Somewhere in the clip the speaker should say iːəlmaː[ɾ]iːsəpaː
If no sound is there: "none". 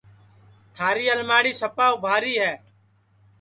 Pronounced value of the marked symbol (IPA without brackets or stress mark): ɽ